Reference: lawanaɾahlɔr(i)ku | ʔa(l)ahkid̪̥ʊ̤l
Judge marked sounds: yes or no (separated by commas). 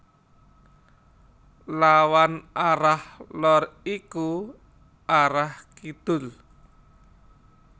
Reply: yes, no